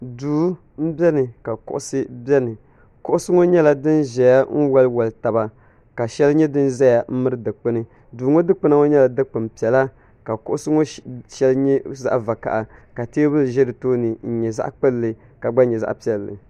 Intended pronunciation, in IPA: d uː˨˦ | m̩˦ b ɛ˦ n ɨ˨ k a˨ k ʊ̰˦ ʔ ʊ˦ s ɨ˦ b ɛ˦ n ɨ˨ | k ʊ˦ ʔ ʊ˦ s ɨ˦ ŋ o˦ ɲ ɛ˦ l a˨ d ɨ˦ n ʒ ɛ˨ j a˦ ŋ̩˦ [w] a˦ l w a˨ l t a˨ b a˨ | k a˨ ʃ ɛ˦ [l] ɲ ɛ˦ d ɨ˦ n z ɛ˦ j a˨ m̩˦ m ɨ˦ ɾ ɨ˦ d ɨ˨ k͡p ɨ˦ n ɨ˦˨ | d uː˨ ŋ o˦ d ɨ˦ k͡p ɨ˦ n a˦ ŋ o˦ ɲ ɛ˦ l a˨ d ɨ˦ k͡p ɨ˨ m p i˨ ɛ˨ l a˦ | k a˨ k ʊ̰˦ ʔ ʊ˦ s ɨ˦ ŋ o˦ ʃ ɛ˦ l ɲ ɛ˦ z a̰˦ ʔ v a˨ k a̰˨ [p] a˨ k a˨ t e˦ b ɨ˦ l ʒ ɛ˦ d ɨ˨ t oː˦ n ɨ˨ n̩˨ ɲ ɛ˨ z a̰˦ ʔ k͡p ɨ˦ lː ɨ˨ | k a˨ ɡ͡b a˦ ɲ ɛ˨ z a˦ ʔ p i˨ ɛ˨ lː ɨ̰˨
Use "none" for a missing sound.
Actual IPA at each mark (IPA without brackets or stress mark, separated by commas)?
w, l, ʔ